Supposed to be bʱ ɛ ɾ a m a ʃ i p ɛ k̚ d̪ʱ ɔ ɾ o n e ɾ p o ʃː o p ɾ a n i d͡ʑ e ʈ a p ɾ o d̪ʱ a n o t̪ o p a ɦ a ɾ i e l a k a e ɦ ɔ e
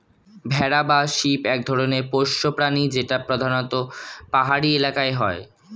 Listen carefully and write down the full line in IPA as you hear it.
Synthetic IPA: bʱ ɛ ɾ a b a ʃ i p ɛ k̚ d̪ʱ ɔ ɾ o n e ɾ p o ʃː o p ɾ a n i d͡ʑ e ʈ a p ɾ o d̪ʱ a n o t̪ o p a ɦ a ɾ i e l a k a e ɦ ɔ e

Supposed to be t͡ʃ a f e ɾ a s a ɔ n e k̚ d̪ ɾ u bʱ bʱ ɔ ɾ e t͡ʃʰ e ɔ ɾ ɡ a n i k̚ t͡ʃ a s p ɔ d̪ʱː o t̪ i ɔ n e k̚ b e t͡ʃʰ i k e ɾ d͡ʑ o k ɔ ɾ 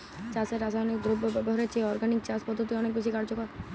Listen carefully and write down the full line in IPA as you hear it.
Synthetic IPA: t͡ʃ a s e ɾ a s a ɔ n e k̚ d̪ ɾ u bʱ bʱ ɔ ɾ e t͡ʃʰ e ɔ ɾ ɡ a n i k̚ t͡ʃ a s p ɔ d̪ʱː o t̪ i ɔ n e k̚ b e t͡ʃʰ i k a ɾ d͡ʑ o k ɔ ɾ

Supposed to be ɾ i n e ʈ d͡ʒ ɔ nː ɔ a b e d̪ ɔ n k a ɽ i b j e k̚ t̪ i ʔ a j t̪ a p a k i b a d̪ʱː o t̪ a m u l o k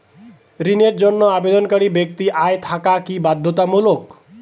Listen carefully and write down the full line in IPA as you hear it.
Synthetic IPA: ɾ i n e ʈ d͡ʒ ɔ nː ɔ a b e d̪ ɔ n k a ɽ i b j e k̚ t̪ i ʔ a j t̪ʰ a k a k i b a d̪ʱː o t̪ a m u l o k

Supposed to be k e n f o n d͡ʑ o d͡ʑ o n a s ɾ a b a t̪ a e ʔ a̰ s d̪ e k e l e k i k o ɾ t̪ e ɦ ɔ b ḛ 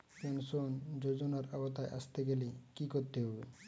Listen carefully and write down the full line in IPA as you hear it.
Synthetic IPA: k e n s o n d͡ʑ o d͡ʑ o n a ɾ a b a t̪ a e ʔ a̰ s t̪ e ɡ e l e k i k o ɾ t̪ e ɦ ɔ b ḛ

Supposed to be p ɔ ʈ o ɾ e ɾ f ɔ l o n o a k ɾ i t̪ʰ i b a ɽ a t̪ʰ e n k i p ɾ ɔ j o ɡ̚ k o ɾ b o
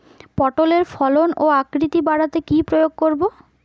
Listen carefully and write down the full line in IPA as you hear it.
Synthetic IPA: p ɔ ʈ o l e ɾ f ɔ l o n o a k ɾ i t̪ i b a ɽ a t̪ e k i p ɾ o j o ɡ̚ k o ɾ b o

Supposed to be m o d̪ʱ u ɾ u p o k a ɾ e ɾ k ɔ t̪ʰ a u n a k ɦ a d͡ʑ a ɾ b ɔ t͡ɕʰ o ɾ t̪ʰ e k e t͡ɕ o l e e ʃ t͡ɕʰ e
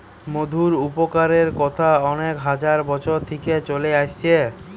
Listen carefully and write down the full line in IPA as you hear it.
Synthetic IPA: m o d̪ʱ u ɾ u p o k a ɾ e ɾ k ɔ t̪ʰ a ɔ n e k ɦ a d͡ʑ a ɾ b ɔ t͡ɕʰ o ɾ t̪ʰ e k e t͡ɕ o l e a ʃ t͡ɕʰ e

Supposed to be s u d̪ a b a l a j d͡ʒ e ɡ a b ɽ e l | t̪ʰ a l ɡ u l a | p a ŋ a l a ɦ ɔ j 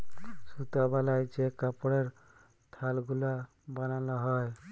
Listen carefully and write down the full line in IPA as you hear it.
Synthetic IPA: s u t̪ a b a l a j d͡ʒ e k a p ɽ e ɾ | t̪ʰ a l ɡ u l a | b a n a l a ɦ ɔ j

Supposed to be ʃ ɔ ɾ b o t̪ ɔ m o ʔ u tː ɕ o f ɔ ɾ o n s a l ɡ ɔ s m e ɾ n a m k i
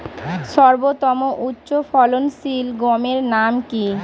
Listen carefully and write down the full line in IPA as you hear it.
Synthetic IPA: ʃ ɔ ɾ b o t̪ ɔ m o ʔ u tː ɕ o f ɔ l o n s i l ɡ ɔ m e ɾ n a m k i

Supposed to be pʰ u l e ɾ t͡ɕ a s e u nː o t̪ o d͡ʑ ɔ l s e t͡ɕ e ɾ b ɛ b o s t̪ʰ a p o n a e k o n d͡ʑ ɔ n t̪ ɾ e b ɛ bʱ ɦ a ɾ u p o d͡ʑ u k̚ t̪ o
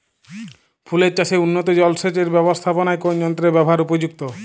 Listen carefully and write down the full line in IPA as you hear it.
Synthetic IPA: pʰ u l e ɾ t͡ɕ a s e u nː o t̪ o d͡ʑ ɔ l s e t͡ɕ e ɾ b ɛ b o s t̪ʰ a p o n a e k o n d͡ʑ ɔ n t̪ ɾ e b ɛ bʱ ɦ a ɾ u p o d͡ʑ u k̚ t̪ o

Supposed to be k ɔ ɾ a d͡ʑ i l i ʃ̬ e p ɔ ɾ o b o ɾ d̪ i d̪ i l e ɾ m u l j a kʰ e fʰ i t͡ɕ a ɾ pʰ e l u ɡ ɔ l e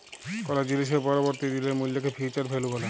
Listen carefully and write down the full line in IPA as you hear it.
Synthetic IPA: k ɔ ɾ a d͡ʑ i l i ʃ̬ e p ɔ ɾ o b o ɾ t̪ i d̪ i l e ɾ m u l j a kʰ e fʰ i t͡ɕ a ɾ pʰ e l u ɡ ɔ l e

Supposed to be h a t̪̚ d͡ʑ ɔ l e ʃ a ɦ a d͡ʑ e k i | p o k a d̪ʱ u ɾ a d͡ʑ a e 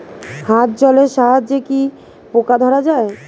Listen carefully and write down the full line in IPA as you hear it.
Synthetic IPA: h a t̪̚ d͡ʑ ɔ l e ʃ a ɦ a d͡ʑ e k i | p o k a d̪ʱ ɔ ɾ a d͡ʑ a e

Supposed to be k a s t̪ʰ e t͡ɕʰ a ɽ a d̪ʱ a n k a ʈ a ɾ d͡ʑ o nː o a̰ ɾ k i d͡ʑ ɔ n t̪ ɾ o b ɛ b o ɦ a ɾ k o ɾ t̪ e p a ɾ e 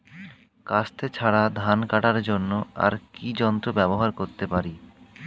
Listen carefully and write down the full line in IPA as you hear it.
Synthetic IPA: k a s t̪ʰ e t͡ɕʰ a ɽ a d̪ʱ a n k a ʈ a ɾ d͡ʑ o nː o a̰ ɾ k i d͡ʑ ɔ n t̪ ɾ o b ɛ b o ɦ a ɾ k o ɾ t̪ e p a ɾ i

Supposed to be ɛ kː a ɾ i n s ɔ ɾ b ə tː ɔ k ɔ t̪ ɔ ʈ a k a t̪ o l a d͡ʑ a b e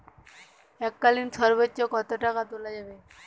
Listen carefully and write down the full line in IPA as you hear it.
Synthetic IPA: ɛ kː a l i n s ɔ ɾ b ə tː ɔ k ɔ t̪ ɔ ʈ a k a t̪ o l a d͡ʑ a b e

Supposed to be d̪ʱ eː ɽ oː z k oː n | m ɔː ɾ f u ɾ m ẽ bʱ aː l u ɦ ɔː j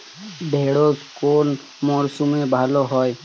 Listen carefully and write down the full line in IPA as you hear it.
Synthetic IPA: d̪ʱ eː ɽ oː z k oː n | m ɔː ɾ s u m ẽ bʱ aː l o ɦ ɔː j

